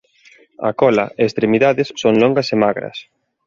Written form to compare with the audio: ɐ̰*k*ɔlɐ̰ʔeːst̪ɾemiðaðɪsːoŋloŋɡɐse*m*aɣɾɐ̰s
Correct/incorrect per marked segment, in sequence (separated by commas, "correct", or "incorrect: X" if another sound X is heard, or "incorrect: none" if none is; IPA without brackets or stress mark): correct, correct